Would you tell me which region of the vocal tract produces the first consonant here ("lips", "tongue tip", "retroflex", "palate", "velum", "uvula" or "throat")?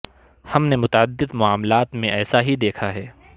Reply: throat